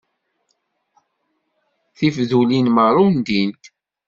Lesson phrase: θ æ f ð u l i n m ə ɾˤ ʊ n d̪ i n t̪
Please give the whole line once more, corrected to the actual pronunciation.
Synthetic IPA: θ i f ð u l i n m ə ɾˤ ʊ n d̪ i n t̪